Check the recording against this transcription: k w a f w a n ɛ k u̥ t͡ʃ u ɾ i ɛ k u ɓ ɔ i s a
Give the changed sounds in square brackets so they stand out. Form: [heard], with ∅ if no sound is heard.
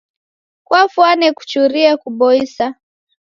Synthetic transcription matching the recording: k w a f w a n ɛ k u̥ t͡ʃ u ɾ i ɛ k u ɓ ɔ i s a